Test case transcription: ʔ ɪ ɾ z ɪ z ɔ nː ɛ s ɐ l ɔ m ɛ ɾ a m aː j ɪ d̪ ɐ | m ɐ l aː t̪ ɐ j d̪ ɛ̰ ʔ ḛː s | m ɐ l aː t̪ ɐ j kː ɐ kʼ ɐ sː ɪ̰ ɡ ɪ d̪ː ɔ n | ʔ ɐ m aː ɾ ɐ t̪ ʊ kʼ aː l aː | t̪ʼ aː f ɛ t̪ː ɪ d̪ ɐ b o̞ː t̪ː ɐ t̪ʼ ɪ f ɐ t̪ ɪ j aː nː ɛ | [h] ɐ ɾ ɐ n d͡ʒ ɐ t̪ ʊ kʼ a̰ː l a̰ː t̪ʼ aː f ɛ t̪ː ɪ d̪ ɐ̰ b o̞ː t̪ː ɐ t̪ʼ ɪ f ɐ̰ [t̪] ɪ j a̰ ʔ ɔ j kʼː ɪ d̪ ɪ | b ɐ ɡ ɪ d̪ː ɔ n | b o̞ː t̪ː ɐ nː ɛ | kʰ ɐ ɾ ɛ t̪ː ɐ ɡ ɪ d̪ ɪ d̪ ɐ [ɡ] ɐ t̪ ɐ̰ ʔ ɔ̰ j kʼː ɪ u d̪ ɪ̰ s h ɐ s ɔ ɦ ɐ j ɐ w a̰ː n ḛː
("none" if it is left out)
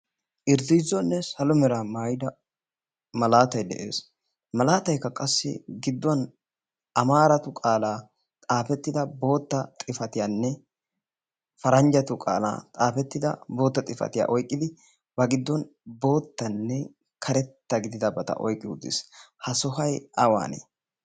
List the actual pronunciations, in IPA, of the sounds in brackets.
f, t̪, b

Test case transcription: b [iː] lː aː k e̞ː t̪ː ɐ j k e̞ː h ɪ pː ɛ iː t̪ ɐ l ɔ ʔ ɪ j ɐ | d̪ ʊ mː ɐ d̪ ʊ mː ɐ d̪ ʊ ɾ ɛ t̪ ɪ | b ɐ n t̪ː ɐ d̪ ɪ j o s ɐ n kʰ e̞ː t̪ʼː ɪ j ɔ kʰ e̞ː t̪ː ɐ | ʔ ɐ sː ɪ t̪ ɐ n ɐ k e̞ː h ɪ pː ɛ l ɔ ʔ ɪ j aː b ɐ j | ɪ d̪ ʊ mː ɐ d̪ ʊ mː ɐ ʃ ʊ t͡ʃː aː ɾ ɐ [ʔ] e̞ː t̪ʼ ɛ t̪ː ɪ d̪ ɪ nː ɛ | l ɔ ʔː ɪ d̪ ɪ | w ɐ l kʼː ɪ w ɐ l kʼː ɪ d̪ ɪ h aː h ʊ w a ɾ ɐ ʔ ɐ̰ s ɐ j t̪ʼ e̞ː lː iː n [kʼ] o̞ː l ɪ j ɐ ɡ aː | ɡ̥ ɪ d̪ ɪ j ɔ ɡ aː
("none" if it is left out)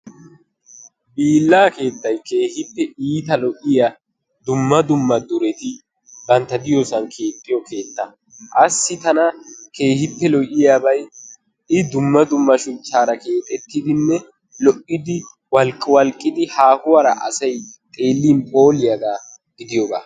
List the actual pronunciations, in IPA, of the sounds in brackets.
iː, k, pʼ

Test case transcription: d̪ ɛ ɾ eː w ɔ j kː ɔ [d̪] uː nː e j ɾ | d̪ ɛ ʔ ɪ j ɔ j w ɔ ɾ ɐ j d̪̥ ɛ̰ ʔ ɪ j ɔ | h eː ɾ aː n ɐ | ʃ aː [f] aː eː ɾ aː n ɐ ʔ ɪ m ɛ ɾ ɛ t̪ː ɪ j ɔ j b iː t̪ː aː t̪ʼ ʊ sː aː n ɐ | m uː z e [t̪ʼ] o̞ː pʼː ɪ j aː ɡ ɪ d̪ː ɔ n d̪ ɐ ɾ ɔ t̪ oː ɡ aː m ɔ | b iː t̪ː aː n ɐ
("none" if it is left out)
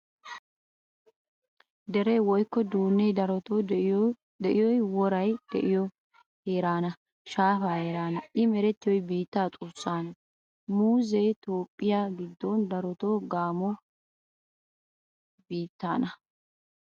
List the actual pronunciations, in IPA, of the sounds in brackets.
d̪, f, t̪

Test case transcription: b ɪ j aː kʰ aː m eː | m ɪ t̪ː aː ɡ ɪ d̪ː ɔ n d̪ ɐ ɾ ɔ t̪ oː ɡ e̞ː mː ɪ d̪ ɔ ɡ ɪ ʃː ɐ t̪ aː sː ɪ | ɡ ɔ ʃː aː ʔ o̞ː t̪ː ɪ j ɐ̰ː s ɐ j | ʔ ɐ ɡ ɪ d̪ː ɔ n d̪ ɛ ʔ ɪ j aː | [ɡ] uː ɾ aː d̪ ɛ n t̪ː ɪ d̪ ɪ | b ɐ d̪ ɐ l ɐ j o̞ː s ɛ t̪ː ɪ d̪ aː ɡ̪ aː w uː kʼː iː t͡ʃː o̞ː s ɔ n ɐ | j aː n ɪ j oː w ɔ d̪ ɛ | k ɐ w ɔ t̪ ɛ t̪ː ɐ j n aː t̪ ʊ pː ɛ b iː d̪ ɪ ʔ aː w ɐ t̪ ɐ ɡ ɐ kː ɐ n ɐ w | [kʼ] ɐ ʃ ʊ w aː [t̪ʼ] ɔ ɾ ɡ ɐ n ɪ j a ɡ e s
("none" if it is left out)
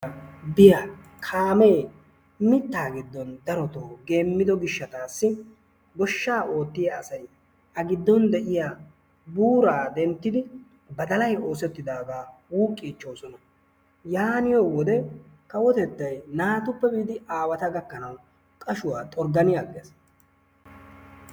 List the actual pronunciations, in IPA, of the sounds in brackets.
b, kʼ, t̪ʼ

